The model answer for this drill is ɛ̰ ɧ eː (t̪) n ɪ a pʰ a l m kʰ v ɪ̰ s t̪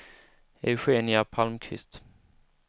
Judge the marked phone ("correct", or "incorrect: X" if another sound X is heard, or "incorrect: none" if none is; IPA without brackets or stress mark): incorrect: none